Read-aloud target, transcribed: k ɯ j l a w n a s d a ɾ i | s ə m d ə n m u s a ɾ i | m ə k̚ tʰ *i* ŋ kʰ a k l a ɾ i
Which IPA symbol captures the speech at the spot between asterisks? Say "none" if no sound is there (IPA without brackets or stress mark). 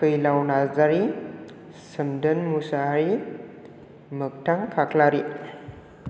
a